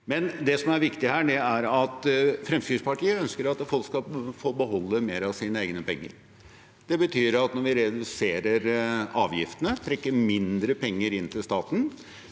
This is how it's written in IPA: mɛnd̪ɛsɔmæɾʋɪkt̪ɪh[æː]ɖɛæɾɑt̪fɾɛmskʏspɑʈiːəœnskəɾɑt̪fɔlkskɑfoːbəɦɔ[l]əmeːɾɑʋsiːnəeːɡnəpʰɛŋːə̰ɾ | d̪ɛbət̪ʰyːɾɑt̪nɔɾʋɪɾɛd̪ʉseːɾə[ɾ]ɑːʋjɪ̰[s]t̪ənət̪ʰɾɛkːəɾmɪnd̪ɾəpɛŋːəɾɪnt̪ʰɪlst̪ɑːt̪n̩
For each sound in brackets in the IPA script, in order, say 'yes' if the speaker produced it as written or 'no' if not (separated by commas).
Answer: yes, no, yes, no